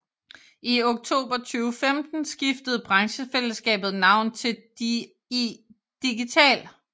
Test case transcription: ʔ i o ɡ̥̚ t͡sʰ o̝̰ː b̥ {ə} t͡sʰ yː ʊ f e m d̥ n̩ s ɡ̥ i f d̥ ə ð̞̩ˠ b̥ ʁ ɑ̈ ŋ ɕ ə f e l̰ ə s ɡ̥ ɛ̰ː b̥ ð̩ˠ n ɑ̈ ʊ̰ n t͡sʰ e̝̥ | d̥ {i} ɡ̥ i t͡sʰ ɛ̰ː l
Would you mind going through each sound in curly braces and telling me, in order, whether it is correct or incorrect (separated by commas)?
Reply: incorrect, correct